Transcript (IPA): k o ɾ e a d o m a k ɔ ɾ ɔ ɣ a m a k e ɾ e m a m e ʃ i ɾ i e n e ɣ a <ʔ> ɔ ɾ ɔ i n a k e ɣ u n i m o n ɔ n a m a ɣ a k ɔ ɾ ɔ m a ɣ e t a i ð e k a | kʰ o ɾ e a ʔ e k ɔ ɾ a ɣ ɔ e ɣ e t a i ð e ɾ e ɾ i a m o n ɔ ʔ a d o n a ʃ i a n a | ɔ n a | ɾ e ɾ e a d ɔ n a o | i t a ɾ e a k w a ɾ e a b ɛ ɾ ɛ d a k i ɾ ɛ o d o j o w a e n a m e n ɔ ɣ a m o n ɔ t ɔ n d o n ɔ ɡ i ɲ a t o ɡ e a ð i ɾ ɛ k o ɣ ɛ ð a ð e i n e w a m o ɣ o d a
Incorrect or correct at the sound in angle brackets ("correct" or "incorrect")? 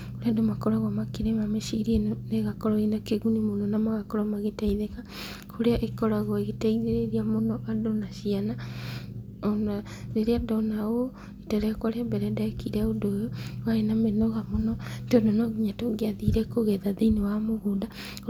incorrect